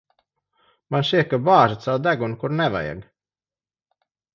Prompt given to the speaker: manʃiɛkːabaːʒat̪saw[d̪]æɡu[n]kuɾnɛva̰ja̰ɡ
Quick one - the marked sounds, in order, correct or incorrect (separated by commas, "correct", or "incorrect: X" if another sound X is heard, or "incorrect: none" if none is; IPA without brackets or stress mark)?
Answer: correct, correct